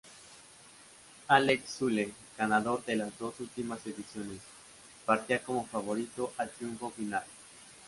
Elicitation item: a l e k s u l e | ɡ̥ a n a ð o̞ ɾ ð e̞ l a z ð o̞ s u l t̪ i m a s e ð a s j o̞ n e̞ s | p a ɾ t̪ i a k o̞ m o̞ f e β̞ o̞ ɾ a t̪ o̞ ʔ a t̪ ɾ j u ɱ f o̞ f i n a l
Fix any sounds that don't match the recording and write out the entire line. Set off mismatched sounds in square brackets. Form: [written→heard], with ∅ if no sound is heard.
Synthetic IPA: a l e k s u l e | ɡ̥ a n a ð o̞ ɾ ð e̞ l a z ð o̞ s u l t̪ i m a s e ð [a→i] s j o̞ n e̞ s | p a ɾ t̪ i a k o̞ m o̞ f [e→a] β̞ o̞ ɾ [a→i] t̪ o̞ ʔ a t̪ ɾ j u ɱ f o̞ f i n a l